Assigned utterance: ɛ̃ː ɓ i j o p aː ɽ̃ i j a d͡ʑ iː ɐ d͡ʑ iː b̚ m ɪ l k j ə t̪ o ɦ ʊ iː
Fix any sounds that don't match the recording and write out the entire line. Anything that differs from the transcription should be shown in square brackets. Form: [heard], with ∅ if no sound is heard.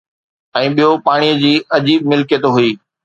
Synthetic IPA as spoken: ɛ̃ː ɓ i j o p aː ɽ̃ i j [ə] d͡ʑ iː ɐ d͡ʑ iː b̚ m ɪ l k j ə t̪ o ɦ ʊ iː